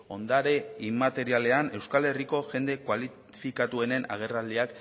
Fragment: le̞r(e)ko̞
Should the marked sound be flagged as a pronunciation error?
yes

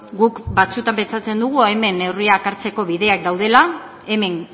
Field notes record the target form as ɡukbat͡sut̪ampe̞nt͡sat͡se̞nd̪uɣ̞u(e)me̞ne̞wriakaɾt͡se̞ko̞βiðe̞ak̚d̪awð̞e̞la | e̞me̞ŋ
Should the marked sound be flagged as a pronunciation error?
no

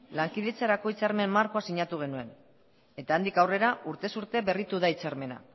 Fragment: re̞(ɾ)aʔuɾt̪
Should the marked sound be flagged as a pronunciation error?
no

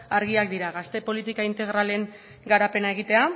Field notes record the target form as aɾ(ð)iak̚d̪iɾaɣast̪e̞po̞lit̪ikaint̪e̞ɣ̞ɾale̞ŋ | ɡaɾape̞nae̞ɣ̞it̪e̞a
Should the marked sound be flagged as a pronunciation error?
yes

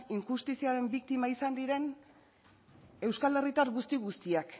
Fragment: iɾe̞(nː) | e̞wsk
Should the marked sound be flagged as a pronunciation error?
yes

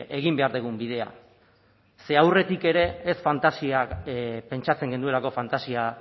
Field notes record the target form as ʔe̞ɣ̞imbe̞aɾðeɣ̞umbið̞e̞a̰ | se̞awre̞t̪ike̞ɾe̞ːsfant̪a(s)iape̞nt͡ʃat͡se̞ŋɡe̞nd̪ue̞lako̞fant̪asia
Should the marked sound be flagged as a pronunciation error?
no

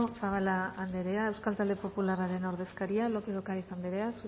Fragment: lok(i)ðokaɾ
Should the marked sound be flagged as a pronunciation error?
yes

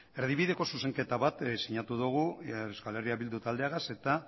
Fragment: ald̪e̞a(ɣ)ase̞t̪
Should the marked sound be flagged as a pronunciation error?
no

